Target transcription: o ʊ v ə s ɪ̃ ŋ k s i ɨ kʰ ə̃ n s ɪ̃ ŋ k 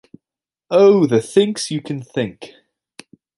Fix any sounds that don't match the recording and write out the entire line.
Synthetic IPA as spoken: o ʊ ð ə θ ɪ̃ ŋ k s j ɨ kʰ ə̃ n θ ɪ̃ ŋ k